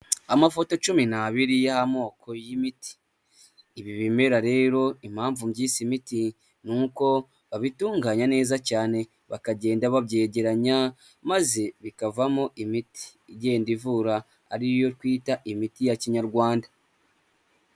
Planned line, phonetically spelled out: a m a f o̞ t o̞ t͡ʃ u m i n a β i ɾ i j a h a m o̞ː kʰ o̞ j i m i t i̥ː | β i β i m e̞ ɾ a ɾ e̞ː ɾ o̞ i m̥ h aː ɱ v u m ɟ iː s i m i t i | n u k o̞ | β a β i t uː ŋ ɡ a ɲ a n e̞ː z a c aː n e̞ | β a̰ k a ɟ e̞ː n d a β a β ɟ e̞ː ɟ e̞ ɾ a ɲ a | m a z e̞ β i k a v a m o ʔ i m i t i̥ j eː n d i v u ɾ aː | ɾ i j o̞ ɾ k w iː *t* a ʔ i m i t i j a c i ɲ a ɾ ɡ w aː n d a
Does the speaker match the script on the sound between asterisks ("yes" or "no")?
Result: yes